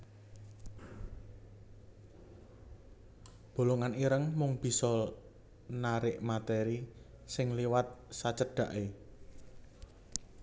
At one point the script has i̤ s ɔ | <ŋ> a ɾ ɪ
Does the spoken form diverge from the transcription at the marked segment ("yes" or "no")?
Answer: yes